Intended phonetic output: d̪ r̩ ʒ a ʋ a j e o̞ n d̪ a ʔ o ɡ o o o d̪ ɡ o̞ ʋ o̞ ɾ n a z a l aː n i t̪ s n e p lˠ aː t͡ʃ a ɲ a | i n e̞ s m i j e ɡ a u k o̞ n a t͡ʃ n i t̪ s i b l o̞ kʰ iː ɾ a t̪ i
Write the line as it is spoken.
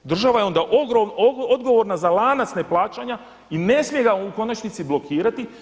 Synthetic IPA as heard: d̪ r̩ ʒ a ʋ a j e o̞ n d̪ a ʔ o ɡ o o o d̪ ɡ o̞ ʋ o̞ ɾ n a z a l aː n a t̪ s n e p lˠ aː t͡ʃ a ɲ a | i n e̞ s m i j e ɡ a u k o̞ n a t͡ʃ n i t̪ s i b l o̞ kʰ iː ɾ a t̪ i